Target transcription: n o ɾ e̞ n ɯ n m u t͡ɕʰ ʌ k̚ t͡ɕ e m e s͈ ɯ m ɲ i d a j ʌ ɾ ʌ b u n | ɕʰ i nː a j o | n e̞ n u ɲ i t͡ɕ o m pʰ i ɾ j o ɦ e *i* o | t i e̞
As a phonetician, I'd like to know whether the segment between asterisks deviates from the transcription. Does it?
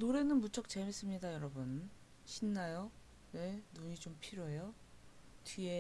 yes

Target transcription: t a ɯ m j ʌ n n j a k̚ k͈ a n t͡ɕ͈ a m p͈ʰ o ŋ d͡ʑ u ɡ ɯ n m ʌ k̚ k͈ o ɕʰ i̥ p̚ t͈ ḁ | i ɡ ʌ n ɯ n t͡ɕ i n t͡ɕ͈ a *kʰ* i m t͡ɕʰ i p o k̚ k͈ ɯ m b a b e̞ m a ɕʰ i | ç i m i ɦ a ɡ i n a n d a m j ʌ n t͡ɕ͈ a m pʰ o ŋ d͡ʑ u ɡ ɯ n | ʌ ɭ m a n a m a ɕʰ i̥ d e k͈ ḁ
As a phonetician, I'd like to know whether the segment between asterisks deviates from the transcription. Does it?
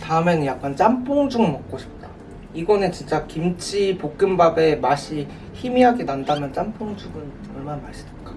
yes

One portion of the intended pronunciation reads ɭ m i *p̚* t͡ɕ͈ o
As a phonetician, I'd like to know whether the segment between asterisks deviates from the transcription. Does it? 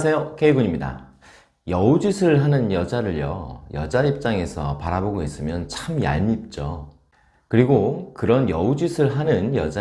no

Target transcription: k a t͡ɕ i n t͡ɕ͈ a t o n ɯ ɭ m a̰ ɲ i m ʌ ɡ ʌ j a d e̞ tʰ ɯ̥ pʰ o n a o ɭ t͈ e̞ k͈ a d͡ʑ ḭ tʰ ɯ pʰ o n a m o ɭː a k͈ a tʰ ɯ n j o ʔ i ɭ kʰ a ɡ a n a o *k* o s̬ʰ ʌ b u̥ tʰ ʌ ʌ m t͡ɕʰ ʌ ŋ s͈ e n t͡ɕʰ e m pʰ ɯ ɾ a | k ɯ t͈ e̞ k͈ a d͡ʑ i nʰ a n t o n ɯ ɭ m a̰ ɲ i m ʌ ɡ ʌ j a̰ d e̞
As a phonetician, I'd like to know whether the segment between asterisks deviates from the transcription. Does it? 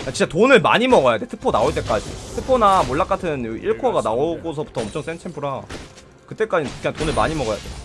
yes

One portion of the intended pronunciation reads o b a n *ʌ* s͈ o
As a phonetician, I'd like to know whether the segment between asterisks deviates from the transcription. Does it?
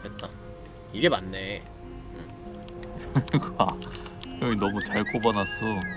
yes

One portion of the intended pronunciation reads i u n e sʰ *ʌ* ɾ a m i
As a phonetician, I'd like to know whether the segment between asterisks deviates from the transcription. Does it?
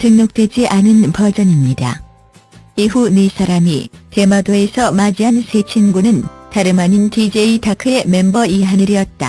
yes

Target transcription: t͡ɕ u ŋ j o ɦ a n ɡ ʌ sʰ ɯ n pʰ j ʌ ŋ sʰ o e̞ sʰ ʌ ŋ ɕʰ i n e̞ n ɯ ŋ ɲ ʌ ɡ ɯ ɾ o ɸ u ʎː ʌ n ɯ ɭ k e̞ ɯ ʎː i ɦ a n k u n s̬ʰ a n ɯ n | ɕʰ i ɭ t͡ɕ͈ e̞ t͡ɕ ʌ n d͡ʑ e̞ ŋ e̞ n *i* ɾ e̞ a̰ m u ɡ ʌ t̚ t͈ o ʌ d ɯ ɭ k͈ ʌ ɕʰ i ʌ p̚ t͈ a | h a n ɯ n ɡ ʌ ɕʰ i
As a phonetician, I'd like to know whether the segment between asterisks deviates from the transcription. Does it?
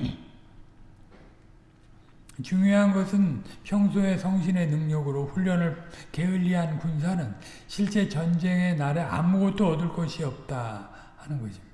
yes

